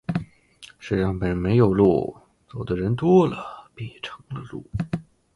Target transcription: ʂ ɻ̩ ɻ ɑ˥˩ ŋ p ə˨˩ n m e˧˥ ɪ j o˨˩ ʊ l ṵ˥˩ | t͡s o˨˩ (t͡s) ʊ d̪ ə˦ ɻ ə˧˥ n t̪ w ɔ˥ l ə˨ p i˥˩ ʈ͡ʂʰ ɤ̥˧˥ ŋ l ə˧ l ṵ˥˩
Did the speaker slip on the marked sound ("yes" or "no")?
yes